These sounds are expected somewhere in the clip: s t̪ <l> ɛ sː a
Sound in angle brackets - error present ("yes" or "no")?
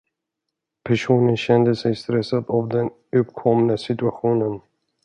yes